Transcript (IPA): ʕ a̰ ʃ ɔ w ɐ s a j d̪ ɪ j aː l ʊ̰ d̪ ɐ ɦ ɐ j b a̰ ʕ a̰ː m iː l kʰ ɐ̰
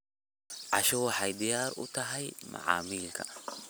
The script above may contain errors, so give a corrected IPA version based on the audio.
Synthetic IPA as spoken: ʕ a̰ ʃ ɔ w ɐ ħ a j d̪ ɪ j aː ɾ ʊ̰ t̪ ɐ ɦ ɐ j m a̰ ʕ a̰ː m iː l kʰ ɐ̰